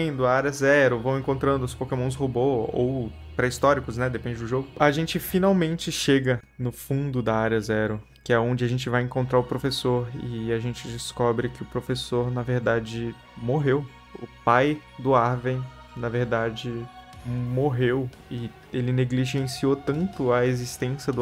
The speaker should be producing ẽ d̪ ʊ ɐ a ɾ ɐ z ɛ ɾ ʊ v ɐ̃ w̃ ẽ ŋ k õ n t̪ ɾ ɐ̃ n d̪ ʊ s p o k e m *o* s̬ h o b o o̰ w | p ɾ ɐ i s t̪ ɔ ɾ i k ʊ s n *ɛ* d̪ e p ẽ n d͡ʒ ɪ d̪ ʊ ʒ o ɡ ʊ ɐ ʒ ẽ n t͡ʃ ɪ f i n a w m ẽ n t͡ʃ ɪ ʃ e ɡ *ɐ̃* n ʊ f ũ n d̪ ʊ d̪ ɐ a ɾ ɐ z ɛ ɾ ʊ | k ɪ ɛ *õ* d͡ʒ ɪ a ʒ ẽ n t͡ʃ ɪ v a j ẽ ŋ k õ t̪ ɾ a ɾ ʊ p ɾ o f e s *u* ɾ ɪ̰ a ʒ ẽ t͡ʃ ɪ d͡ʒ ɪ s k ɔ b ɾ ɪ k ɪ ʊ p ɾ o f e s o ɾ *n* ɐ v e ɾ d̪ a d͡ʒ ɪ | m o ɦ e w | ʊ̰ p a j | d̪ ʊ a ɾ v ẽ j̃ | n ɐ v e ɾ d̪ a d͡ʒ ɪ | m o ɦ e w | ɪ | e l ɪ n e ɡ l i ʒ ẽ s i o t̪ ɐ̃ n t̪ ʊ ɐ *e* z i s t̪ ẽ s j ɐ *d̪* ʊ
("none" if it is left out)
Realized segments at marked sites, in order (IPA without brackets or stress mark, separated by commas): õ, ɛ, ɐ, õ, o, n, e, d̪